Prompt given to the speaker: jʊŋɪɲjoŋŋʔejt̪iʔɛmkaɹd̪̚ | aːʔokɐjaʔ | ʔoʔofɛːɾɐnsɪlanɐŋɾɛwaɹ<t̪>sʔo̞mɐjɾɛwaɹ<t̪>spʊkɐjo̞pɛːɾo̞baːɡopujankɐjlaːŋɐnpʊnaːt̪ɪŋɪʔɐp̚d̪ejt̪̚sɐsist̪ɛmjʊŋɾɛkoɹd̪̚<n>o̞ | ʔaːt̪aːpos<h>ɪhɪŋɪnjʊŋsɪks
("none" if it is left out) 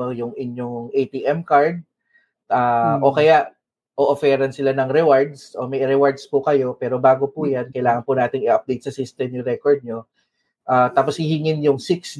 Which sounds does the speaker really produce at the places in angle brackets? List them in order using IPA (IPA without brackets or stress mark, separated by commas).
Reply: d̪, d̪, ɲ, h